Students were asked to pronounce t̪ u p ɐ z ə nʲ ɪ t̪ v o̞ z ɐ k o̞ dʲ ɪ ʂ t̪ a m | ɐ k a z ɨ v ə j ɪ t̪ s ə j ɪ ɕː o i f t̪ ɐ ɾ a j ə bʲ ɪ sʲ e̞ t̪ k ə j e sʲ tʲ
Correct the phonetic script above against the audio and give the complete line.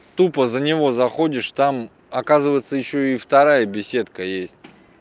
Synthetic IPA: t̪ u p ə z ə nʲ ɪ v o̞ z ɐ x o̞ dʲ ɪ ʂ t̪ a m | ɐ k a z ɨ v ə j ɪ t̪ s ə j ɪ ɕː o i f t̪ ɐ ɾ a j ə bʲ ɪ sʲ e̞ t̪ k ə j e sʲ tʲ